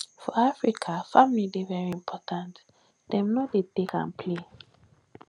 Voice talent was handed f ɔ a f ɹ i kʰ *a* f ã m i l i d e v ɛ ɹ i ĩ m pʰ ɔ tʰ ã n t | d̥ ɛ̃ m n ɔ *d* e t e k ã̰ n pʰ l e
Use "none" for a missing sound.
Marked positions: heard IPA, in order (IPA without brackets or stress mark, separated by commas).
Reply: a, d